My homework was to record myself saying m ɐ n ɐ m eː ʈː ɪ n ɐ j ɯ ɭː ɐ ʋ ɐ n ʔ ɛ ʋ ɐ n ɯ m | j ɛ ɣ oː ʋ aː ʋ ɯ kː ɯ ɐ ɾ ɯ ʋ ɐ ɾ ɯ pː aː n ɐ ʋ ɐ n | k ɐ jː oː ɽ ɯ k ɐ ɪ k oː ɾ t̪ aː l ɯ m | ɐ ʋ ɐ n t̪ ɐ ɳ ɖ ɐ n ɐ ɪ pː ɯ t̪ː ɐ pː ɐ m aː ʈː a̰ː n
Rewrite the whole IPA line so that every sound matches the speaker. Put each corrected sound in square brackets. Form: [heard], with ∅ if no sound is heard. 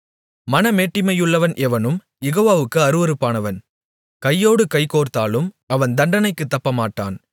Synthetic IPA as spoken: m ɐ n ɐ m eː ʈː ɪ [m] ɐ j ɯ ɭː ɐ ʋ ɐ n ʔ ɛ ʋ ɐ n ɯ m | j ɛ ɣ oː ʋ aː ʋ ɯ kː ɯ ɐ ɾ ɯ ʋ ɐ ɾ ɯ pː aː n ɐ ʋ ɐ n | k ɐ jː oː ɽ ɯ k ɐ ɪ k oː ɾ t̪ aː l ɯ m | ɐ ʋ ɐ n [d̪] ɐ ɳ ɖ ɐ n ɐ ɪ [kː] ɯ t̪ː ɐ pː ɐ m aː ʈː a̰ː n